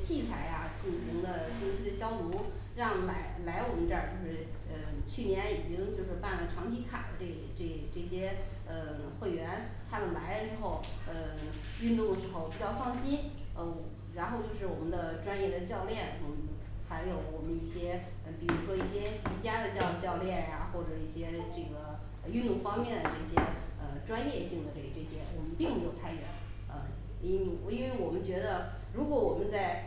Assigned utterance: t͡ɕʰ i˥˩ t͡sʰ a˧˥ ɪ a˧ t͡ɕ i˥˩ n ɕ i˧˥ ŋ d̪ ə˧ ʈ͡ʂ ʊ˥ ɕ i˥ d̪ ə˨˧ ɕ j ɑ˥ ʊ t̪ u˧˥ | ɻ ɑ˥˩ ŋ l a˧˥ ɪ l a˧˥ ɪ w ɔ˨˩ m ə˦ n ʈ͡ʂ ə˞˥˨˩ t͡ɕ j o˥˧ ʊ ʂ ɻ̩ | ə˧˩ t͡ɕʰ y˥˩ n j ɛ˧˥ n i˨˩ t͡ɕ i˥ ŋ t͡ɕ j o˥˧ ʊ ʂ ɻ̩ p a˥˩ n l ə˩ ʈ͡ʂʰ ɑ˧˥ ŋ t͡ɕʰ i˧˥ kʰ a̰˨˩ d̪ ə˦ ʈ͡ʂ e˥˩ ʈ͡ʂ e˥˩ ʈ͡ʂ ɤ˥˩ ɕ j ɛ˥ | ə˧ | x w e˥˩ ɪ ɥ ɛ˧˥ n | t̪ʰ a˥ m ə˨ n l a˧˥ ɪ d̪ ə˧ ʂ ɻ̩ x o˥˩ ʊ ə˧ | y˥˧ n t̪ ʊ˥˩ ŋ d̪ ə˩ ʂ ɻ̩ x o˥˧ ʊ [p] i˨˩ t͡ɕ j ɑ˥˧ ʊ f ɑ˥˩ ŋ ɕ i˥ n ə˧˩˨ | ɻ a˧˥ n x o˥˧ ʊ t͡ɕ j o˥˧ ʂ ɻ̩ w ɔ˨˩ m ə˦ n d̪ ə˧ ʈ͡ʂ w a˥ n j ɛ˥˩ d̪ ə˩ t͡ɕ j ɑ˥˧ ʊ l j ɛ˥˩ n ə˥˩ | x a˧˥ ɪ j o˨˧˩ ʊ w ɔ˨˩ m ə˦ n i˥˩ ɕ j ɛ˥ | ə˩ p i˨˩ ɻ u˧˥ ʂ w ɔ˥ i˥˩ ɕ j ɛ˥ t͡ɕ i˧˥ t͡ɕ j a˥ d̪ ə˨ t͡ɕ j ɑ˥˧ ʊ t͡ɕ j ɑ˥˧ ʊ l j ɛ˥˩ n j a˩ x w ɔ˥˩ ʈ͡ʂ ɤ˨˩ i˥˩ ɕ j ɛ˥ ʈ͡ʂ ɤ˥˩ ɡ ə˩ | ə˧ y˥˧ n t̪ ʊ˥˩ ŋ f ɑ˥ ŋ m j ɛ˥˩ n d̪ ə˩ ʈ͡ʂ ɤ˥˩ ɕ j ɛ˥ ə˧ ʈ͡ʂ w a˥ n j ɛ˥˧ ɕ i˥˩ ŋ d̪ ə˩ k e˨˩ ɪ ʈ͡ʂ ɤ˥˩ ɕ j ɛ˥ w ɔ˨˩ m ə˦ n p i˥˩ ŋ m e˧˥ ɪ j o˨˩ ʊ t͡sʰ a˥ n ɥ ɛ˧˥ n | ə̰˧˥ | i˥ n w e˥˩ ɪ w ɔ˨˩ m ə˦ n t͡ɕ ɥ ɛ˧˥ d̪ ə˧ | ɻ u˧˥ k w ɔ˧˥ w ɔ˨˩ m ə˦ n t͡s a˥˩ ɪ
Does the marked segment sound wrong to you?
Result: no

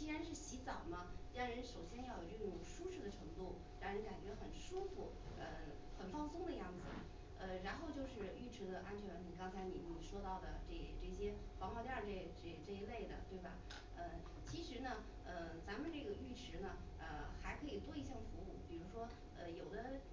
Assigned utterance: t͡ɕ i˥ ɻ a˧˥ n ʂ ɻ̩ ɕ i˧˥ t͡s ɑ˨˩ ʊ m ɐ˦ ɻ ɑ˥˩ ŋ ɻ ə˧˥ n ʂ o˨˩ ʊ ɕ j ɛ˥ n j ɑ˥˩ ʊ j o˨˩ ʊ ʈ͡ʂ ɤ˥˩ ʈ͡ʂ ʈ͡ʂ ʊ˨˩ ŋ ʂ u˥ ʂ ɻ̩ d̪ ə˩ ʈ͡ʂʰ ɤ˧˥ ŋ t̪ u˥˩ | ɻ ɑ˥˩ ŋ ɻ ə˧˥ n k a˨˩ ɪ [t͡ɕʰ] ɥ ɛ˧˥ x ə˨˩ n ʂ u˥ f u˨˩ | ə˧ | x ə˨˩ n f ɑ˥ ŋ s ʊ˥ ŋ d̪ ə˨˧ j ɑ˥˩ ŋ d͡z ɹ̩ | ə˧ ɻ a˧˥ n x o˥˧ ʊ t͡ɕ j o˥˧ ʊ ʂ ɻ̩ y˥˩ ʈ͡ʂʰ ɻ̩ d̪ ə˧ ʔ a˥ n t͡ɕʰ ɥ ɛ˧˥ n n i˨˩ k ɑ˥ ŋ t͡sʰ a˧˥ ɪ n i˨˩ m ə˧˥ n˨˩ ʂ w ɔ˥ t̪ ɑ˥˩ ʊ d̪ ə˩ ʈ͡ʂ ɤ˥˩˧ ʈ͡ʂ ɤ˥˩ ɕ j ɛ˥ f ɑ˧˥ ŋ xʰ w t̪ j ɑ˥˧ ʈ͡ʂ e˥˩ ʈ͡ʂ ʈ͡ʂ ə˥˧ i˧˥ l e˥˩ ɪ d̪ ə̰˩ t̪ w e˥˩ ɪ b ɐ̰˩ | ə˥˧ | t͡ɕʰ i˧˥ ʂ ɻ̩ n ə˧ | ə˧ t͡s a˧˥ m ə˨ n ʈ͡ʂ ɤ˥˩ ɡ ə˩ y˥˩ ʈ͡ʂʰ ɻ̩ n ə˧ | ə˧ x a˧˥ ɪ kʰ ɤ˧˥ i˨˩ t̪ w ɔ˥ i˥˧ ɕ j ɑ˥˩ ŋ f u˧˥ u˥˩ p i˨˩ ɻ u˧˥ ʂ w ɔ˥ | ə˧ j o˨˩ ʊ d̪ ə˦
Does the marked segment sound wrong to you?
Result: yes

